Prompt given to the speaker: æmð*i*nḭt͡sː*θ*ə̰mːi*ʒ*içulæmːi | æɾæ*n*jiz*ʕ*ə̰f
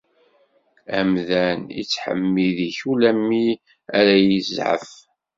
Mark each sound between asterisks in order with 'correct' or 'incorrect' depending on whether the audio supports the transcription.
incorrect: æ, incorrect: ħ, incorrect: ð, incorrect: none, correct

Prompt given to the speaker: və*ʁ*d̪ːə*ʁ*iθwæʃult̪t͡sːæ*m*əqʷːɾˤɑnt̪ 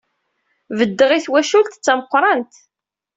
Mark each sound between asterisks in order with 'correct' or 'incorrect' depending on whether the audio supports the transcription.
incorrect: none, correct, correct

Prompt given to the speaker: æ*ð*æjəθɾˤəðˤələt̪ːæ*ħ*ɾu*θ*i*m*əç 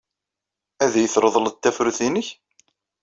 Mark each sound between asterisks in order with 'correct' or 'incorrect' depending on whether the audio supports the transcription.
correct, incorrect: f, correct, incorrect: n

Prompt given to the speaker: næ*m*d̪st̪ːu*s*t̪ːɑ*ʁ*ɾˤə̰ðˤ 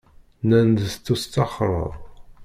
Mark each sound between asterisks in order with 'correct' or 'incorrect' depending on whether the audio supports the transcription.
incorrect: n, correct, incorrect: χ

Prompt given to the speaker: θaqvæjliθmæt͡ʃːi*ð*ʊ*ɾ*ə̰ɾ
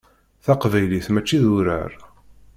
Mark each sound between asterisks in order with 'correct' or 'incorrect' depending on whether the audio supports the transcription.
correct, correct

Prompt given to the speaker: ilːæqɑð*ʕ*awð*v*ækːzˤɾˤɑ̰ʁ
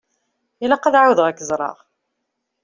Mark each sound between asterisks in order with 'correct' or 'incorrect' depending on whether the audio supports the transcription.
correct, incorrect: ʁ

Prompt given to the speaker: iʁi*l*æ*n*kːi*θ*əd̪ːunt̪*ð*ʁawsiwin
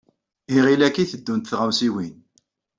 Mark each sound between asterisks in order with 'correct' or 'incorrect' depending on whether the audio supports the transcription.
correct, incorrect: none, correct, incorrect: θ

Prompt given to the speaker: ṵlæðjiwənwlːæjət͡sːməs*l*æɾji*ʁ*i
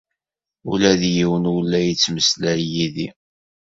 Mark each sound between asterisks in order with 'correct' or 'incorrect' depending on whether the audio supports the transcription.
correct, incorrect: ð

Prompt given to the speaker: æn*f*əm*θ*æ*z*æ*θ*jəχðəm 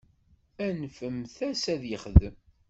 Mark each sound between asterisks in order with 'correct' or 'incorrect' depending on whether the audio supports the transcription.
correct, correct, incorrect: s, incorrect: ð

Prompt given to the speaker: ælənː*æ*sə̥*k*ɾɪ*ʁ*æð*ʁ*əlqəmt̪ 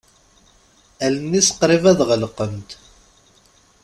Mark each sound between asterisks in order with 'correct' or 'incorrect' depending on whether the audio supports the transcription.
incorrect: i, incorrect: q, incorrect: v, correct

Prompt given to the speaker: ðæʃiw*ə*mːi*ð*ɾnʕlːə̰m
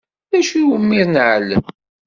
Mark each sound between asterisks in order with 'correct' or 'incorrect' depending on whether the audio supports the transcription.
correct, incorrect: none

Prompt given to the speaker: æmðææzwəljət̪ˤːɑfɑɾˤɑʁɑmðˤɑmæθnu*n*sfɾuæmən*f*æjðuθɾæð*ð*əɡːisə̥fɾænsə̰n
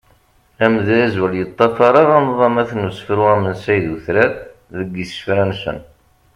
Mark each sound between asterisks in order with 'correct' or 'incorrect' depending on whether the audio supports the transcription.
incorrect: none, incorrect: s, correct

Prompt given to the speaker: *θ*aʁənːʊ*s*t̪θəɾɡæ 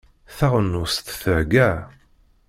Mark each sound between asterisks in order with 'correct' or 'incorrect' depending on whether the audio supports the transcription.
correct, correct

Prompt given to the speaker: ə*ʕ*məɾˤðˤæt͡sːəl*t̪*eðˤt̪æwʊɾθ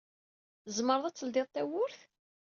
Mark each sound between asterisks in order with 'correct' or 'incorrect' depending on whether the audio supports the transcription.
incorrect: z, incorrect: d̪

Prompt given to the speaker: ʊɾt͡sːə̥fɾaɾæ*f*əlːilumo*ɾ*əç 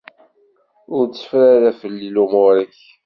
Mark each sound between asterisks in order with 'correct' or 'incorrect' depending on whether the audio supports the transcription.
correct, correct

